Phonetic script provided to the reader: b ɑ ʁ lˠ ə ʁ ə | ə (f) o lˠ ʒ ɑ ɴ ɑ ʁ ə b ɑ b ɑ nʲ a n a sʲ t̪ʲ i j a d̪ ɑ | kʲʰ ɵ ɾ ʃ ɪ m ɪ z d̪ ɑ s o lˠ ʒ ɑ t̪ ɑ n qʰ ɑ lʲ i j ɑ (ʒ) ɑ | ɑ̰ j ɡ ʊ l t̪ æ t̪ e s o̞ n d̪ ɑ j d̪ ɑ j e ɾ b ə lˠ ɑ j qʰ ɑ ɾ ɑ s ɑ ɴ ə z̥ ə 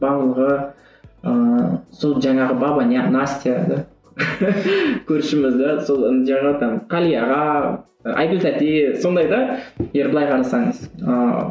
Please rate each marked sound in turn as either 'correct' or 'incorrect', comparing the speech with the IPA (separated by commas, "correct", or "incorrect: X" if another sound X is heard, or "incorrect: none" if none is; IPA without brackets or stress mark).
incorrect: s, incorrect: ʁ